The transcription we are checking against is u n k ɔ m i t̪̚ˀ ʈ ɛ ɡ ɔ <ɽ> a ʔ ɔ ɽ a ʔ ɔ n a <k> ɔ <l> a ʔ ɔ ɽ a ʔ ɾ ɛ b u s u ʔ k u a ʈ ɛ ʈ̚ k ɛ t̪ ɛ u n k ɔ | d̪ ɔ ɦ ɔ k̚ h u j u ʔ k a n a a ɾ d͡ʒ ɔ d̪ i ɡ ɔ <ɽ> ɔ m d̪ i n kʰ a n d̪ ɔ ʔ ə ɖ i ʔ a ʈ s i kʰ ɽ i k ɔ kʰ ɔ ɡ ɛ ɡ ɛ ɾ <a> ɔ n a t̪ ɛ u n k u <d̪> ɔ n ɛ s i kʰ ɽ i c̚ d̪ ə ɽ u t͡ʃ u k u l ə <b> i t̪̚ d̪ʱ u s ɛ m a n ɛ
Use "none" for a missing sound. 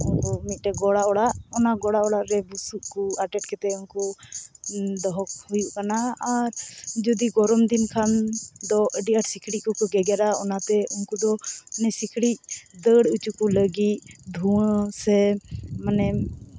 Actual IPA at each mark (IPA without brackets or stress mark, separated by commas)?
ɽ, ɡ, ɽ, ɾ, a, d̪, ɡ